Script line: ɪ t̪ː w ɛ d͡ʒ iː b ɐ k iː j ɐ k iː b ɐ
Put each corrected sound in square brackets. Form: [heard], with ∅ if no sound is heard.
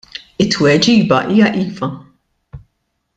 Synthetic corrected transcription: ɪ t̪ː w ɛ d͡ʒ iː b ɐ [ʔ] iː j ɐ [ʔ] iː [v] ɐ